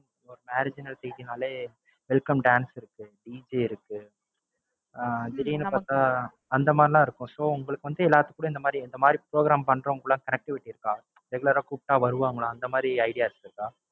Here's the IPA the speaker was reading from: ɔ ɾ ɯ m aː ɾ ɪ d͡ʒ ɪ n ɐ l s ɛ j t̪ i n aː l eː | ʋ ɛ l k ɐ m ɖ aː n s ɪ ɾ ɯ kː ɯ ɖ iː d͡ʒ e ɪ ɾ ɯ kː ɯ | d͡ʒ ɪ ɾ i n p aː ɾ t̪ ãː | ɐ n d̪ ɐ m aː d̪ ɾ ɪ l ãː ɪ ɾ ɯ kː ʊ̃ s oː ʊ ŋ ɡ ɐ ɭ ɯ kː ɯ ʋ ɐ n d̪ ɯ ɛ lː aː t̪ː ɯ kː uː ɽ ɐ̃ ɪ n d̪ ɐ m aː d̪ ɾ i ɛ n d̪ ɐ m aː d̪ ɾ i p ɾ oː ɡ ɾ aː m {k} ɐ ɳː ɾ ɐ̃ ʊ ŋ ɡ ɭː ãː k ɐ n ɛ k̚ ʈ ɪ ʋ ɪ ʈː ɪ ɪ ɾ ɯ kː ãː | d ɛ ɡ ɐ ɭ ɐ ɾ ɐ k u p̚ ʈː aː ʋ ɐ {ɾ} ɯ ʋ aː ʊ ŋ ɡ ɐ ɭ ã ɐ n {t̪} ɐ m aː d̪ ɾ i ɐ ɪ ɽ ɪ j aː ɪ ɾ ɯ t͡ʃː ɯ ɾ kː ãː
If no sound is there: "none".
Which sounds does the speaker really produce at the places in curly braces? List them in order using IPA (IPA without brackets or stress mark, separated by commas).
p, ɾ, d̪